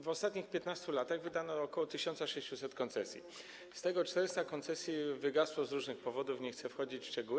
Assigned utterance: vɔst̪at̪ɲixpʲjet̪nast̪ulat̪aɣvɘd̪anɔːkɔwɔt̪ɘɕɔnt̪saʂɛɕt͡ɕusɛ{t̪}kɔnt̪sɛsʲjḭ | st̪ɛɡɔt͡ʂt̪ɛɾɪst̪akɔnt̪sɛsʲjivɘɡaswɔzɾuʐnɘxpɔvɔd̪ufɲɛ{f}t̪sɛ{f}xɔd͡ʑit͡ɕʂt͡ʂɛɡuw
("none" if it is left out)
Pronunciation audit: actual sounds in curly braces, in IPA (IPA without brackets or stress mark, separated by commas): t̪, x, f